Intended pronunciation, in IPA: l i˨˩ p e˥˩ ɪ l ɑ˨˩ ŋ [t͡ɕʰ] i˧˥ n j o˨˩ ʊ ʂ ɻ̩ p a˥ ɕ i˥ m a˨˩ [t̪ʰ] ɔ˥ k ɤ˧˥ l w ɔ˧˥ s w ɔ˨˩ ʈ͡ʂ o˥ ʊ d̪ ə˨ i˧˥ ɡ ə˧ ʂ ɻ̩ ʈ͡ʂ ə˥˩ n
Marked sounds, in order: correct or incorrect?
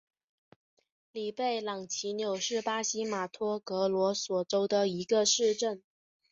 correct, correct

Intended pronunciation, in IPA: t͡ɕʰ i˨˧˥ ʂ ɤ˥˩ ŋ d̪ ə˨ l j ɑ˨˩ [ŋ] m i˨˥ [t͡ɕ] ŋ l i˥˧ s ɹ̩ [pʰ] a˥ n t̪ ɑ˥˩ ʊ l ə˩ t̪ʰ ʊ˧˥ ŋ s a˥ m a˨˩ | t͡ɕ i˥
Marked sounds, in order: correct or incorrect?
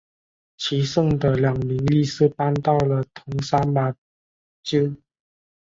correct, incorrect, incorrect

